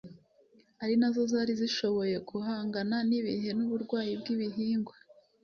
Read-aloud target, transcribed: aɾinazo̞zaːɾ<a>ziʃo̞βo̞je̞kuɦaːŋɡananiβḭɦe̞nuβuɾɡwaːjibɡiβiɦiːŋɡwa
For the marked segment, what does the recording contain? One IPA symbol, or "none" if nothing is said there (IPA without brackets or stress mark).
i